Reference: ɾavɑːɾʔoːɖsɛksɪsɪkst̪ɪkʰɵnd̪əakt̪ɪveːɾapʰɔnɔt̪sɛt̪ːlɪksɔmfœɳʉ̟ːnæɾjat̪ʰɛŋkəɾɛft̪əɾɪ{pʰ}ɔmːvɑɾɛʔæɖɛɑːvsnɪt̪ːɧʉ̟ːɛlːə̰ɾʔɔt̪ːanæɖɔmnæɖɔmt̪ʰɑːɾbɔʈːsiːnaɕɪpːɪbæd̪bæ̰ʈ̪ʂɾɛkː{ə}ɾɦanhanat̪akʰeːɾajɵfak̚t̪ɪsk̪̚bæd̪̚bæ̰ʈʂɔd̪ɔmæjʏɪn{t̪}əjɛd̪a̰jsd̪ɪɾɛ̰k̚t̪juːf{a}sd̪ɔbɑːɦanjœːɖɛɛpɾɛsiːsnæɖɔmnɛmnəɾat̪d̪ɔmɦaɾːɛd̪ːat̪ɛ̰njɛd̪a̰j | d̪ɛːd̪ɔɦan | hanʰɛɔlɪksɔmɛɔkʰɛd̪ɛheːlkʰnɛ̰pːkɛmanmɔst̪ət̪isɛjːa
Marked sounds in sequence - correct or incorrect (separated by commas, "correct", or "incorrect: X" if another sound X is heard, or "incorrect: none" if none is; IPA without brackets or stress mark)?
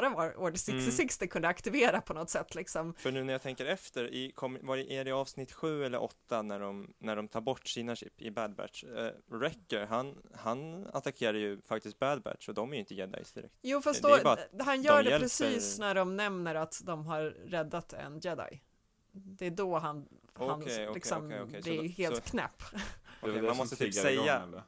incorrect: kʰ, correct, correct, correct